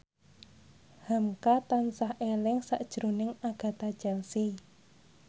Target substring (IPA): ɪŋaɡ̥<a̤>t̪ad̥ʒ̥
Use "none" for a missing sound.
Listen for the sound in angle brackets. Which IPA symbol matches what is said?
a̤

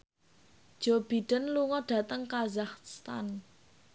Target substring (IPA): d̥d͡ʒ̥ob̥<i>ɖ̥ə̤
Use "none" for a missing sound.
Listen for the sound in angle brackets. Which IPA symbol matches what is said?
i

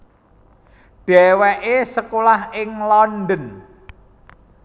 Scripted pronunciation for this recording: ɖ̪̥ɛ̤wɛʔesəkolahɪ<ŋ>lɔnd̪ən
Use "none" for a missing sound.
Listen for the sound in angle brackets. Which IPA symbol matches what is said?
ŋ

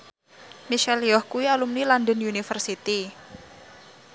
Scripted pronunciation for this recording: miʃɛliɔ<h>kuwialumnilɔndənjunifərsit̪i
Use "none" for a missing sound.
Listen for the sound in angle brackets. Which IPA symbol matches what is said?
h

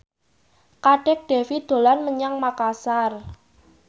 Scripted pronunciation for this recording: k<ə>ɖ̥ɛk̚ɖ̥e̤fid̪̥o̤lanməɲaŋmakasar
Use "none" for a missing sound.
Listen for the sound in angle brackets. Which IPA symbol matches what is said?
a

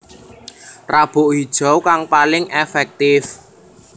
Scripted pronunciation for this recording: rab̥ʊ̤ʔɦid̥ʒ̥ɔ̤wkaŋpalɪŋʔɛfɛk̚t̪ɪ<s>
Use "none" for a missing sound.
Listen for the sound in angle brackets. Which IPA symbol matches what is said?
f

